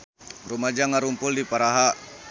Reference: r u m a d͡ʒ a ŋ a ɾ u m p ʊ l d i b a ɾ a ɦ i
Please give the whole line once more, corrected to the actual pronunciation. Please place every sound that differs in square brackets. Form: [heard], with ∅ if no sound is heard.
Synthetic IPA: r u m a d͡ʒ a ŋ a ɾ u m p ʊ l d i [p] a ɾ a ɦ [a]